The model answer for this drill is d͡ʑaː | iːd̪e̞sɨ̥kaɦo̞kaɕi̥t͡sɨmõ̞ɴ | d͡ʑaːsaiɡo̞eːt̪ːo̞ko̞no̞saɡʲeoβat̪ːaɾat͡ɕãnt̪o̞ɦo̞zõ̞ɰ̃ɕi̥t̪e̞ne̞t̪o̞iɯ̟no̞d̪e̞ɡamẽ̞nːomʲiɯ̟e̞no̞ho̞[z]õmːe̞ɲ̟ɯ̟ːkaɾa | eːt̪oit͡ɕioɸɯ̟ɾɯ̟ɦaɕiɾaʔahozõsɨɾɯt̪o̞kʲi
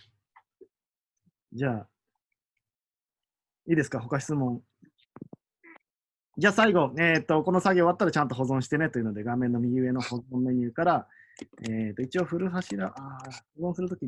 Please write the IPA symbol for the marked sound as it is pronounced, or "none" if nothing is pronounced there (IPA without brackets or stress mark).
z